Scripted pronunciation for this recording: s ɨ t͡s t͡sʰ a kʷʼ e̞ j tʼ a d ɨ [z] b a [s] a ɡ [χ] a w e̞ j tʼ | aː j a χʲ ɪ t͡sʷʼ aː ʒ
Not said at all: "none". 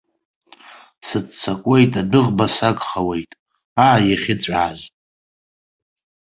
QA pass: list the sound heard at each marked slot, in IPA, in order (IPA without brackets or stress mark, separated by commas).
ʁ, s, χ